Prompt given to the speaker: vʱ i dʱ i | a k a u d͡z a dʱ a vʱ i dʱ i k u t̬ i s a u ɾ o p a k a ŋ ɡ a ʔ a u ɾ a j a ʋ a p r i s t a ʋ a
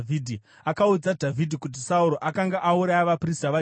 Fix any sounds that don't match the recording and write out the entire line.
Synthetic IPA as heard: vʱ i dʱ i | a k a u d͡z a dʱ a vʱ i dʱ i k u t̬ i s a u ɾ o ʔ a k a ŋ ɡ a ʔ a u ɾ a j a ʋ a p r i s t a ʋ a